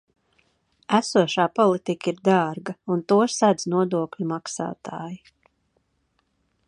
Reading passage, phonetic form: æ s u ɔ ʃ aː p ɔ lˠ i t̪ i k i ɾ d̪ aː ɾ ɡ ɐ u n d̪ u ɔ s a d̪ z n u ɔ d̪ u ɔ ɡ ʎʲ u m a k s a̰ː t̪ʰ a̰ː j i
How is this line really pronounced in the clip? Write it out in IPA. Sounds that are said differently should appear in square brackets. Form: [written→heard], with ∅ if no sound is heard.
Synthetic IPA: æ s u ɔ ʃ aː p ɔ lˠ i t̪ i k i ɾ d̪ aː ɾ ɡ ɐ u n [d̪→t̪] u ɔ s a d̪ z n u ɔ d̪ u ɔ [ɡ→k] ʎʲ u m a k s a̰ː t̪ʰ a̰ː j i

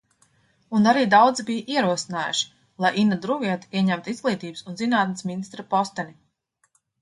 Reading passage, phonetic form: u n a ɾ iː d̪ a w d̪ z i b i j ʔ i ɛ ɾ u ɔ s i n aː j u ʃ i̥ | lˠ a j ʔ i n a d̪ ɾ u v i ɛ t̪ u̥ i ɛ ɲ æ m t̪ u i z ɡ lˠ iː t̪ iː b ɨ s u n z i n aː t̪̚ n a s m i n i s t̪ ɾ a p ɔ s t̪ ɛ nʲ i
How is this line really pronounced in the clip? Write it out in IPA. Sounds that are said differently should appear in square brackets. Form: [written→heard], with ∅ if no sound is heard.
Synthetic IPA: u n a ɾ iː d̪ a w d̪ z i b i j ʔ i ɛ ɾ u ɔ s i n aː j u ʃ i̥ | lˠ a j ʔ i n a d̪ ɾ u v i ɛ t̪ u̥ i ɛ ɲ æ m t̪ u i z ɡ lˠ iː t̪ iː b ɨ s u n z i n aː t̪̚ n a s m i n i s t̪ ɾ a p ɔ s t̪ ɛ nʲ i

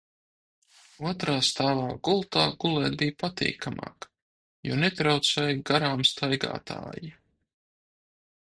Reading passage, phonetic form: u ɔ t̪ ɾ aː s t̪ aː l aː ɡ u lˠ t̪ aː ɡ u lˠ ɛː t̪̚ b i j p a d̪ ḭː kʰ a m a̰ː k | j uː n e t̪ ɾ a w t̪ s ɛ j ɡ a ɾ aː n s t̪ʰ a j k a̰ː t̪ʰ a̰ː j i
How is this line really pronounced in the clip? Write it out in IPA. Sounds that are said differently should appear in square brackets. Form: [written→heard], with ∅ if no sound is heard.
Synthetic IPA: u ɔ t̪ ɾ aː s t̪ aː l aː ɡ u lˠ t̪ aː ɡ u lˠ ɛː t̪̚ b i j p a [d̪→t̪] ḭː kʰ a m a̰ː k | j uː n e t̪ ɾ a w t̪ s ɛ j ɡ a ɾ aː [n→m] s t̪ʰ a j [k→ɡ] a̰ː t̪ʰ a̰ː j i

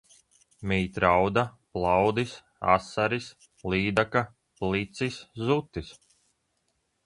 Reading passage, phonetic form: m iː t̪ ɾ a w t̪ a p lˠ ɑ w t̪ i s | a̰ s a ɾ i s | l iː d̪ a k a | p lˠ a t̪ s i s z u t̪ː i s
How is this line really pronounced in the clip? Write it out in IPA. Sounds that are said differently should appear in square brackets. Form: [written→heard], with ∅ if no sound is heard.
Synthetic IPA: m iː t̪ ɾ a w [t̪→d̪] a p lˠ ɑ w [t̪→d̪] i s | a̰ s a ɾ i s | l iː d̪ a k a | p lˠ [a→i] t̪ s i s z u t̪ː i s

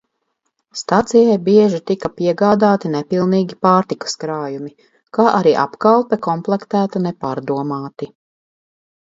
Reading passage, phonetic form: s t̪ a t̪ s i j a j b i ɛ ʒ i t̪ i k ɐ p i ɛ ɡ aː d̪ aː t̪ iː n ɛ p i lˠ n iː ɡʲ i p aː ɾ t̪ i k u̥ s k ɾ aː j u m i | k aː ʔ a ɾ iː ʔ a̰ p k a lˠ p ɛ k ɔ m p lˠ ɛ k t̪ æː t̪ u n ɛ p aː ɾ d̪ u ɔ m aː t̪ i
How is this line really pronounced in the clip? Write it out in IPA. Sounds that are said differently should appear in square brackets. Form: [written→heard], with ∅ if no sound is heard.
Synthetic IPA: s t̪ a t̪ s i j a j b i ɛ ʒ i t̪ i k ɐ p i ɛ ɡ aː d̪ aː t̪ [iː→i] n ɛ p i lˠ n iː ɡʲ i p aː ɾ t̪ i k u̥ s k ɾ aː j u m i | k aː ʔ a ɾ iː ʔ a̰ p k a lˠ p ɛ k ɔ m p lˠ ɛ k t̪ æː t̪ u n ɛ p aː ɾ d̪ u ɔ m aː t̪ i

